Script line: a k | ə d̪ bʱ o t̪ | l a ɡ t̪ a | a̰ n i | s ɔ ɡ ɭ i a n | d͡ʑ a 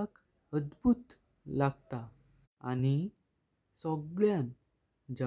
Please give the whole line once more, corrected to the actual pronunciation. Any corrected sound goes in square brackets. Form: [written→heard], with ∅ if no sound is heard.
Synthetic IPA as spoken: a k | ə d̪ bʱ [o→u] t̪ | l a ɡ t̪ a | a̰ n i | s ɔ ɡ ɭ [i→j] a n | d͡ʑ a